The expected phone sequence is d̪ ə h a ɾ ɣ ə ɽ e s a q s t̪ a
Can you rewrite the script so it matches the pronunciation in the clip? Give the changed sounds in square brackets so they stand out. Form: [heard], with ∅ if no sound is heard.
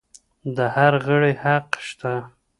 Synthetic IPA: d̪ ə h a ɾ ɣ ə ɽ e [h] a q [ʃ] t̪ a

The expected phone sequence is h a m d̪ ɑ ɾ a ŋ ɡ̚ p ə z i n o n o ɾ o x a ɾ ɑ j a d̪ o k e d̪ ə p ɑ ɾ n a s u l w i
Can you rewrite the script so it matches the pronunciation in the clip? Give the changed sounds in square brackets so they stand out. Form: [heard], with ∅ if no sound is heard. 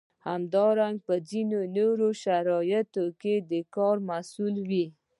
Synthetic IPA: h a m d̪ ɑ ɾ a ŋ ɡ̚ p ə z i n o n o ɾ o [ʃ] a ɾ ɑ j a [t̪] o k e d̪ ə [k] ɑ ɾ [m] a s u l w i

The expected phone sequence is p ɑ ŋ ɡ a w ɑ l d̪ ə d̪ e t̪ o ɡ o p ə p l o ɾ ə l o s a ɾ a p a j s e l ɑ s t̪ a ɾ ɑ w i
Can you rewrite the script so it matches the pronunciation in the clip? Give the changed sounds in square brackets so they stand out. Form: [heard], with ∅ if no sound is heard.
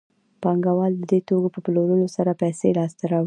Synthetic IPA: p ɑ ŋ ɡ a w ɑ l d̪ ə d̪ e t̪ o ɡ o p ə p l o ɾ ə l o s a ɾ a p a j s e l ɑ s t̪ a ɾ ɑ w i

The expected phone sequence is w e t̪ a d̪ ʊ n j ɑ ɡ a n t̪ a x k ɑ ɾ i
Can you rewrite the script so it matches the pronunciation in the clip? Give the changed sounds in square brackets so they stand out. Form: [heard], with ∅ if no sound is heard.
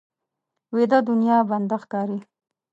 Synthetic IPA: w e [d̪] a d̪ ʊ n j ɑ [b] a n [d̪] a x k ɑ ɾ i

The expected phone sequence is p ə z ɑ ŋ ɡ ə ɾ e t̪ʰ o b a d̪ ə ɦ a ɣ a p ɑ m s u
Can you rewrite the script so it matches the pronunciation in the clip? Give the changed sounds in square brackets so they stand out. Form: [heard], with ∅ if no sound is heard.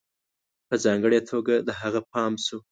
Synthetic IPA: p ə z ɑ ŋ ɡ ə [ɽ] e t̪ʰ o [ɡ] a d̪ ə ɦ a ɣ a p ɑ m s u

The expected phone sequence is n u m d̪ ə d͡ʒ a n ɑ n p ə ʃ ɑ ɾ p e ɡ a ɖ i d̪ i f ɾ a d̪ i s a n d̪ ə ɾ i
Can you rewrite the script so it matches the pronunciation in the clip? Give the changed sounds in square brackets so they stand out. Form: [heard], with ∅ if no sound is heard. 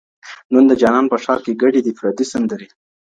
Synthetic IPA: n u [n] d̪ ə d͡ʒ [ɑ] n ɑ n p ə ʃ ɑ ɾ [k] e ɡ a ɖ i d̪ i f ɾ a d̪ i s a n d̪ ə ɾ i

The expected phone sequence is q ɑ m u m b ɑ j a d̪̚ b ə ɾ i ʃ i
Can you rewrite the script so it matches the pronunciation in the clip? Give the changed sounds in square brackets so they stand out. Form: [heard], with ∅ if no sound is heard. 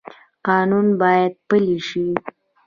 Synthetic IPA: q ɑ [n] u [n] b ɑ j a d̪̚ [p] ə [l] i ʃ i

